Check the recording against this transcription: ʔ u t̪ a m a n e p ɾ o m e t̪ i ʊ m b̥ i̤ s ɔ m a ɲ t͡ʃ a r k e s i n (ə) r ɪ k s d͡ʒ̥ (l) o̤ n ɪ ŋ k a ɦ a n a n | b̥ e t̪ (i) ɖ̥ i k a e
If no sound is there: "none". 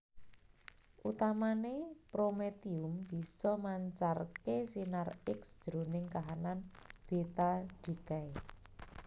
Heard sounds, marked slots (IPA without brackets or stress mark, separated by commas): a, ɾ, a